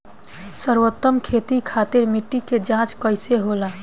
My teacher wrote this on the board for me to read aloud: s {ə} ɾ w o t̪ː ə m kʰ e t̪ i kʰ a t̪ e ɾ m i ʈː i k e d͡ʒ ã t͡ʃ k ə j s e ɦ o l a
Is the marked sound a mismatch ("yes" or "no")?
no